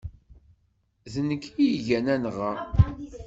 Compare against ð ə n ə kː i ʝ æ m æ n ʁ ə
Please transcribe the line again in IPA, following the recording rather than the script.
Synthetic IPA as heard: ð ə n ə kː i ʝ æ n æ n ʁ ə